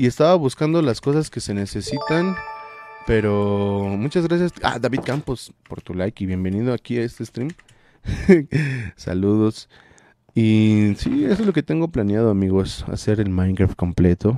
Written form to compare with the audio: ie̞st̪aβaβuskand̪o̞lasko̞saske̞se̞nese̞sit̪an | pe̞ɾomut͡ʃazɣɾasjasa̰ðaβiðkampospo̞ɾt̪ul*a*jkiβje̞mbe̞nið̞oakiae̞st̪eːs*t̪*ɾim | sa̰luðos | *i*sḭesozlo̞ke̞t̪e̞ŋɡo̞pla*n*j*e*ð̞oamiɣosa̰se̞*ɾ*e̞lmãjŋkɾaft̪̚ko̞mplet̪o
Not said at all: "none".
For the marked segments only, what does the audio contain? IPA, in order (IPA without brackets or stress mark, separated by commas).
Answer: a, t̪, i, n, a, ɾ